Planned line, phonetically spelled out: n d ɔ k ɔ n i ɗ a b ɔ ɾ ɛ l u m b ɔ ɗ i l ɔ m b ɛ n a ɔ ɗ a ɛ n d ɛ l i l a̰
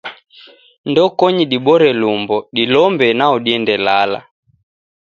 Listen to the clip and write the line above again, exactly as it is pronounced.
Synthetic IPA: n d ɔ k ɔ ɲ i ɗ i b ɔ ɾ ɛ l u m b ɔ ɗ i l ɔ m b ɛ n a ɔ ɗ i ɛ n d ɛ l a l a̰